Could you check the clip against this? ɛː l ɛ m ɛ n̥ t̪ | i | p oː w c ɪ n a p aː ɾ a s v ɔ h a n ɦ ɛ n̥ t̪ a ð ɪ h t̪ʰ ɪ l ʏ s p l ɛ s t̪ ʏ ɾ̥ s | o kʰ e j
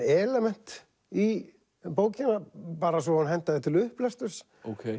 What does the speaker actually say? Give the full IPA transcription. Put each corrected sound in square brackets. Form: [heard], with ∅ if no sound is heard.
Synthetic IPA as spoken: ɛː l ɛ m ɛ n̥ t̪ | i | p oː w c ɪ n a p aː ɾ a s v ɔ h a n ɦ ɛ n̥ t̪ a ð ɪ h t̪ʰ ɪ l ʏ [h] p l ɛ s t̪ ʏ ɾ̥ s | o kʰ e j